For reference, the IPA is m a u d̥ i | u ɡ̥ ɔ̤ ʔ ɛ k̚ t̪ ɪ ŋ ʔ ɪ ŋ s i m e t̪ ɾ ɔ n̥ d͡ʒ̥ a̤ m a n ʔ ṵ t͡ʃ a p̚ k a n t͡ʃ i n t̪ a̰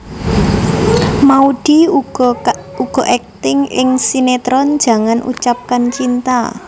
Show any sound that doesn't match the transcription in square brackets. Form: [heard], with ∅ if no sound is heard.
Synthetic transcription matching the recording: m a u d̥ i | u ɡ̥ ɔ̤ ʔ ɛ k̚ t̪ ɪ ŋ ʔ ɪ ŋ s i [n] e t̪ ɾ ɔ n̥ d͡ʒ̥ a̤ [ŋ] a n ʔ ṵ t͡ʃ a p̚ k a n t͡ʃ i n t̪ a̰